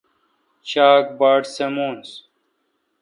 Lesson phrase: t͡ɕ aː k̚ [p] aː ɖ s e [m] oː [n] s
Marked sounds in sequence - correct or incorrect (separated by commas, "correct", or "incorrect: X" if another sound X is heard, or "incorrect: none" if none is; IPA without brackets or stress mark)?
incorrect: b, correct, correct